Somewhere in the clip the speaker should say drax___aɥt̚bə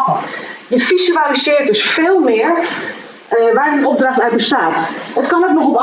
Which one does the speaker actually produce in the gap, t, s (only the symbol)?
t